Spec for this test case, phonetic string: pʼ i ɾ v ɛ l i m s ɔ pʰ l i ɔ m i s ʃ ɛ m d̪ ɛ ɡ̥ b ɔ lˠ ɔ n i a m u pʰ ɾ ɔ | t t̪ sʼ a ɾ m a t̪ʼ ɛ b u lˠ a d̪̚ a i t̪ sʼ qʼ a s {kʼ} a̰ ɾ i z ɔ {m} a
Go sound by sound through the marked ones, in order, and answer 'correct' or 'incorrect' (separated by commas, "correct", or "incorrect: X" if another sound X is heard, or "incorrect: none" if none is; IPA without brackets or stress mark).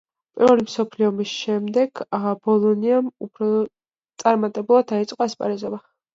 incorrect: pʼ, incorrect: b